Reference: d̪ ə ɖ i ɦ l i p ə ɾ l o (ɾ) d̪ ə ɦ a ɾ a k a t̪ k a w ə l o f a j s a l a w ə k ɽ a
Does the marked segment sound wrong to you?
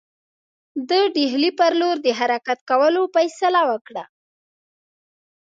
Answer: no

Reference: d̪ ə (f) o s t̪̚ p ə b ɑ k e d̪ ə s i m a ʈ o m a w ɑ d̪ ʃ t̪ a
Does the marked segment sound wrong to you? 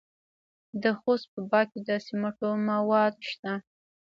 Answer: yes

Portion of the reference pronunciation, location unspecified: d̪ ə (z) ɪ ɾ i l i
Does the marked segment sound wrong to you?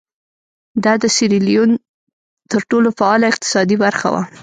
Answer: yes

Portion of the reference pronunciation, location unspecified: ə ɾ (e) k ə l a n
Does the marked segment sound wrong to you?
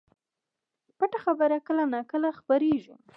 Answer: yes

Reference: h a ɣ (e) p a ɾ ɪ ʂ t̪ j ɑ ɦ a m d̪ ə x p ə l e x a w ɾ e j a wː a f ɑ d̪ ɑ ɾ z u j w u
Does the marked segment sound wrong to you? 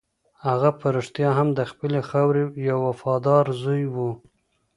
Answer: yes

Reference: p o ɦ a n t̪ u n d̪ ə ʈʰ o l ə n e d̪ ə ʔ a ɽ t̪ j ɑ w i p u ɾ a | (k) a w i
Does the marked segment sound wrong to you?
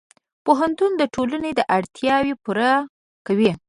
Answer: no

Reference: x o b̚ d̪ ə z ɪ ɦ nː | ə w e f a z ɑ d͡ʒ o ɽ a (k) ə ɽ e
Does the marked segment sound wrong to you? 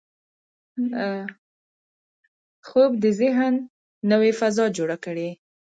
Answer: no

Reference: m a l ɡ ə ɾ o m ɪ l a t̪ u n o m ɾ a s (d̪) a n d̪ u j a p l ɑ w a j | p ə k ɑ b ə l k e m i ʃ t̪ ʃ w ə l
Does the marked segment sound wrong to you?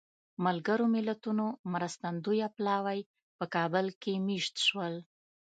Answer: yes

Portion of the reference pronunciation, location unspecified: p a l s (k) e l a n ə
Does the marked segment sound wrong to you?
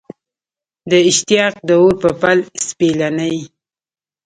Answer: yes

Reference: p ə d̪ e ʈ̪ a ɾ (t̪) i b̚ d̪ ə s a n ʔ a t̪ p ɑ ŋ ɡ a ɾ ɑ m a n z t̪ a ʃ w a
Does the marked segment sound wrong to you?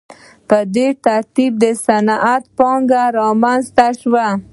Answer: no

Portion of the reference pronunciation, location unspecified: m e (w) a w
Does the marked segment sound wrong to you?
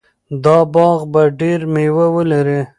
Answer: no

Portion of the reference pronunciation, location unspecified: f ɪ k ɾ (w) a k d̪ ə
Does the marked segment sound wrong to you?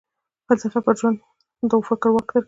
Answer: no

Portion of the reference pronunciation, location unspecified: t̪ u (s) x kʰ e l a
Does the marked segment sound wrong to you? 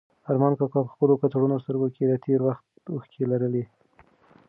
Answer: yes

